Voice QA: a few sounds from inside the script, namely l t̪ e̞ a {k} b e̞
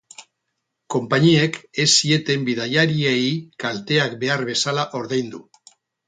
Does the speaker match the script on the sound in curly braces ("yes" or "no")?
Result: yes